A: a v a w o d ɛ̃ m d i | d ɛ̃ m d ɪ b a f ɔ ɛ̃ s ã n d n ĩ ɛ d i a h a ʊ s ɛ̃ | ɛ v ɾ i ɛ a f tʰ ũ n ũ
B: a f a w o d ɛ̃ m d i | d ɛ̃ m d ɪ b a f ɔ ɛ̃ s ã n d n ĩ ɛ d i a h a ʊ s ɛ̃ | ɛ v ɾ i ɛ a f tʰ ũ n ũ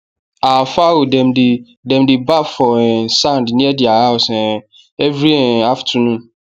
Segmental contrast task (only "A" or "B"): B